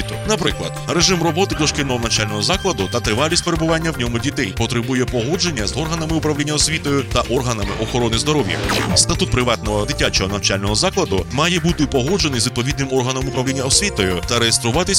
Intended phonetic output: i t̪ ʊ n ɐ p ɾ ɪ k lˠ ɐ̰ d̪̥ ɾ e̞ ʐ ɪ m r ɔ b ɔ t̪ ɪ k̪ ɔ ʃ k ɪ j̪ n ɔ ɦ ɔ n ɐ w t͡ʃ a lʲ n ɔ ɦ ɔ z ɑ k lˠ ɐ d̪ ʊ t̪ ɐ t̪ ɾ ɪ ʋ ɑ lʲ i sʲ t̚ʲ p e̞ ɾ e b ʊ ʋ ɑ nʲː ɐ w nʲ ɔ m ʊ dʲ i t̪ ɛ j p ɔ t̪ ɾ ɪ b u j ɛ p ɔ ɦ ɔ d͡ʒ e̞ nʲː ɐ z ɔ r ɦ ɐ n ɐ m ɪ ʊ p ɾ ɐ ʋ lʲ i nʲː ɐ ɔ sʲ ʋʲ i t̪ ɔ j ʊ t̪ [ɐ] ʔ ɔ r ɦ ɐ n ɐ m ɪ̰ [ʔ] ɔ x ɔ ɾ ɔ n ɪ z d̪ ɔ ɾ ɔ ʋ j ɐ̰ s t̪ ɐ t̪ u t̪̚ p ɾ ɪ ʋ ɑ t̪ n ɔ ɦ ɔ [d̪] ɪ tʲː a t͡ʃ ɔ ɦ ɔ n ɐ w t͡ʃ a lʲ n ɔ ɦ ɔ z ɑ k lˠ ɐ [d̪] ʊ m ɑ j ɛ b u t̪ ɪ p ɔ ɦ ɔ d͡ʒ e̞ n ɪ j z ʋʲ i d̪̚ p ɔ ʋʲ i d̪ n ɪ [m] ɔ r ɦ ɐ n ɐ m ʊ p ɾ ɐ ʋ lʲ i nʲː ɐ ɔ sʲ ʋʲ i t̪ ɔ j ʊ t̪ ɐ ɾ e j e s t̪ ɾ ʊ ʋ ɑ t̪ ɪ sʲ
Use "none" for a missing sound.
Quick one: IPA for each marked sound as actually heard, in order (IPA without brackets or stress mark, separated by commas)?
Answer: ɐ, ʔ, d̪, d̪, m